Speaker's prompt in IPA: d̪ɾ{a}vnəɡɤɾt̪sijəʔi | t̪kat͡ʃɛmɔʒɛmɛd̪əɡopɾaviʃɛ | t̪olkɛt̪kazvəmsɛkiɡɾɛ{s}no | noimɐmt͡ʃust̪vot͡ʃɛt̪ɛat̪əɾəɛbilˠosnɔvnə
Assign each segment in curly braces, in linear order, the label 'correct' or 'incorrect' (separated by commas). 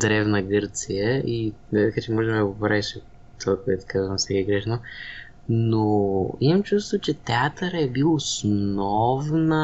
incorrect, incorrect